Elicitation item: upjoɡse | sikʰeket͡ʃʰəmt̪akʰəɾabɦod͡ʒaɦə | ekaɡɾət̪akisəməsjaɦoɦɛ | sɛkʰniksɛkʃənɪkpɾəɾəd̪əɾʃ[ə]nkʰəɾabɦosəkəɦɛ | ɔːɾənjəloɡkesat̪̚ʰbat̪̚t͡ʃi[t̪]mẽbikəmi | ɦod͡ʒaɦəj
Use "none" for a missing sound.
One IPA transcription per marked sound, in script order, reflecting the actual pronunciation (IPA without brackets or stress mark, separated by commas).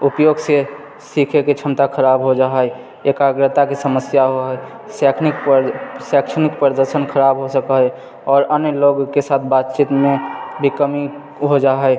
ə, t̪